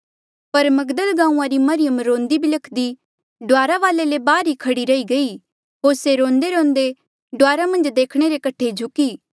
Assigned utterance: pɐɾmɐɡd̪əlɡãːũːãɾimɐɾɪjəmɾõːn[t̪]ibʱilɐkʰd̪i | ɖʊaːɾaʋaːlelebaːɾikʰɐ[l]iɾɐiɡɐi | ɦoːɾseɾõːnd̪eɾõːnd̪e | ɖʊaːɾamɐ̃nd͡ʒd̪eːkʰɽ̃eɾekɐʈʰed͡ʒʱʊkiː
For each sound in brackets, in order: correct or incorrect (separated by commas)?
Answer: incorrect, incorrect